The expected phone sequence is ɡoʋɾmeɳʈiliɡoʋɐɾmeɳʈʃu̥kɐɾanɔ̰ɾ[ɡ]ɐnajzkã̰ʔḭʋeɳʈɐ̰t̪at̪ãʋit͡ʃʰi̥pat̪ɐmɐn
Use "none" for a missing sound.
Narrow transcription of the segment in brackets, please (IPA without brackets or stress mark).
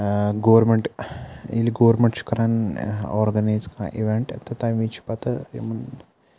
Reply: ɡ